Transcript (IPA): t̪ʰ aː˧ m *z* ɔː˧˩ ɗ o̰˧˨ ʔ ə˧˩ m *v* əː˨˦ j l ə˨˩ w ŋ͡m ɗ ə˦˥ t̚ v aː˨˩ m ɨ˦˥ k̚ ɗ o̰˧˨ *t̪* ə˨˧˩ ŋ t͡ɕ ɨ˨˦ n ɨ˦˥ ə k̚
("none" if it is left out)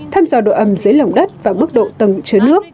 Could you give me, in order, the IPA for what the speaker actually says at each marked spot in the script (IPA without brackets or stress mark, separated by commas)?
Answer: z, z, t̪